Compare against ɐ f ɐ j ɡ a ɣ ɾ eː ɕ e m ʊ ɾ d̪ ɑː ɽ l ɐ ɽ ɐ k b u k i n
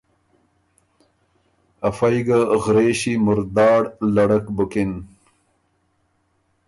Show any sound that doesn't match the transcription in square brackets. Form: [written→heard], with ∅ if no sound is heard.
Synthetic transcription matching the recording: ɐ f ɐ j ɡ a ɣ ɾ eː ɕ [e→i] m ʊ ɾ d̪ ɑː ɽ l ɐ ɽ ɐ k b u k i n